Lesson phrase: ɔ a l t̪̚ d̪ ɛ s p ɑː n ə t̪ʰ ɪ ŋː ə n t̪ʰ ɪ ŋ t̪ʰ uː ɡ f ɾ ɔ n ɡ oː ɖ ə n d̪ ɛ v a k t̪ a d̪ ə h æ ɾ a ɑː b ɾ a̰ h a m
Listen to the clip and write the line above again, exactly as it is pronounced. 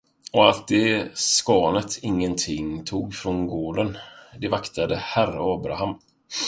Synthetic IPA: ɔ a l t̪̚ d̪ ɛ s k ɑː n ə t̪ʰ ɪ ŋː ə n t̪ʰ ɪ ŋ t̪ʰ uː ɡ f ɾ ɔ n ɡ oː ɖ ə n d̪ ɛ v a k t̪ a d̪ ə h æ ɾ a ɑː b ɾ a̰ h a m

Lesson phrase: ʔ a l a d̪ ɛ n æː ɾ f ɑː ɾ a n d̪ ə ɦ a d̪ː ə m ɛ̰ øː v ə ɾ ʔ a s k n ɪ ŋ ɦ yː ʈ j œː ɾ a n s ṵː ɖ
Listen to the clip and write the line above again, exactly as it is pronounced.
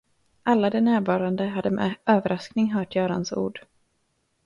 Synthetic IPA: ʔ a lː a d̪ ɛ n æː ɾ v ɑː ɾ a n d̪ ə ɦ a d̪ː ə m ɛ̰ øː v ə ɾ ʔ a s k n ɪ ŋ ɦ œː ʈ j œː ɾ a n s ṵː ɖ

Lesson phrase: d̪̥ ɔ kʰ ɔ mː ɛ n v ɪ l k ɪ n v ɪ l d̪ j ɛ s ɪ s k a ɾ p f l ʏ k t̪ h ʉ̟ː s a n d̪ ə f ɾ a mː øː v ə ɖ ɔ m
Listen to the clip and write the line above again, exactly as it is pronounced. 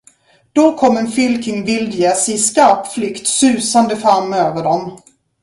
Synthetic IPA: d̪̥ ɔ kʰ ɔ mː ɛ n f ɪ l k ɪ ŋ v ɪ l d̪ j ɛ s ɪ s k a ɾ p f l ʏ k t̪ s ʉ̟ː s a n d̪ ə f ɾ a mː øː v ə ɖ ɔ m

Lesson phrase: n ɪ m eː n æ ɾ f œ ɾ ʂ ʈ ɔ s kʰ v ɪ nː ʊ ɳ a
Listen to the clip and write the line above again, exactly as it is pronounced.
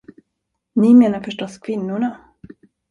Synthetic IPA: n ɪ m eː n a ɾ f œ ʂ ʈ ɔ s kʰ v ɪ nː ʊ ɳ a

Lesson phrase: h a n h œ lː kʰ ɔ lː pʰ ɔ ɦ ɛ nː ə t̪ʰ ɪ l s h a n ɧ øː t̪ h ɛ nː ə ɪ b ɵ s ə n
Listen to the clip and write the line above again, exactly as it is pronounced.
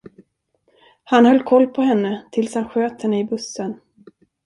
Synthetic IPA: h a n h œ lː kʰ ɔ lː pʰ ɔ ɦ ɛ nː ə t̪ʰ ɪ l s h a n ɧ øː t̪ h ɛ nː ə ɪ b ɵ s ə n

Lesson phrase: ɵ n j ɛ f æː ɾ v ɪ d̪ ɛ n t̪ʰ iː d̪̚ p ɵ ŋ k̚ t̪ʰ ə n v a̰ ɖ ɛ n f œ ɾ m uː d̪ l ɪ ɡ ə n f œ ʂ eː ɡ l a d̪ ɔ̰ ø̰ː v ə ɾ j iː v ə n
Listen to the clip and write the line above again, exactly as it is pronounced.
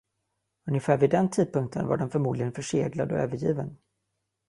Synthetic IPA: ɵ n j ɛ f æː ɾ v ɪ d̪ ɛ n t̪ʰ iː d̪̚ p ɵ ŋ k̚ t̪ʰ ə n v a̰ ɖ ɛ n f œ ɾ m uː d̪ l ɪ ɡ ə n f œ ʂ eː ɡ l a d̪ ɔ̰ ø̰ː v ə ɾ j iː v ə n

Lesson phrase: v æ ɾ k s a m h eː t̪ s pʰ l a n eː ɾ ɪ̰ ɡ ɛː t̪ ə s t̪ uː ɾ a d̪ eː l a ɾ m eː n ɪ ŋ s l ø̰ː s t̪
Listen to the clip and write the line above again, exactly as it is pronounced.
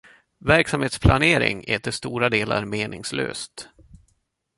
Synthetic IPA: v æ ɾ k s a m h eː t̪ s pʰ l a n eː ɾ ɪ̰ ŋ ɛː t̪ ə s t̪ uː ɾ a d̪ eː l a ɾ m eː n ɪ ŋ s l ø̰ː s t̪

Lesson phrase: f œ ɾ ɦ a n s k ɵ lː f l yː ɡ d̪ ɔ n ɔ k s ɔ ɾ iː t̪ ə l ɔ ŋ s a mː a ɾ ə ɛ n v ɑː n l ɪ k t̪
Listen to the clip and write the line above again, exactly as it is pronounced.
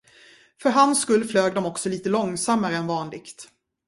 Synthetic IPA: f œ ɾ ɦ a n s k ɵ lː f l øː ɡ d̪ ɔ m ɔ k s ɔ l iː t̪ ə l ɔ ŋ s a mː a ɾ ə ɛ n v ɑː n l ɪ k t̪

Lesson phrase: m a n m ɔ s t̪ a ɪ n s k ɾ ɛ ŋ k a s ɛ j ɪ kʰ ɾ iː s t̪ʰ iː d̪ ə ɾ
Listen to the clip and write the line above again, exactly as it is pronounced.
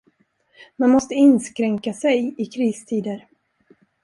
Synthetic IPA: m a n m ɔ s t̪ ə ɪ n s k ɾ ɛ ŋ k a s ɛ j ɪ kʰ ɾ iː s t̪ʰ iː d̪ ə ɾ

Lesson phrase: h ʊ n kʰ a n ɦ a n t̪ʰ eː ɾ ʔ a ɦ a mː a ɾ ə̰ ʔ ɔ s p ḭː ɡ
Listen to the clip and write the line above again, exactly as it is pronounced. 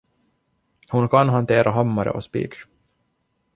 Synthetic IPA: h ʊ n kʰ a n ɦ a n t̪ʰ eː ɾ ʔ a ɦ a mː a ɾ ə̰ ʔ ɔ s p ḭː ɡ

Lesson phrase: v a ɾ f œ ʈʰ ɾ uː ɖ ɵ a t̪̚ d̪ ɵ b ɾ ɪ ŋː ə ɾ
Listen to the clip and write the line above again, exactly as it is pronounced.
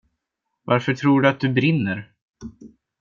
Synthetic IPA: v a ɾ f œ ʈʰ ɾ uː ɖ ɵ a t̪̚ d̪ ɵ b ɾ ɪ nː ə ɾ

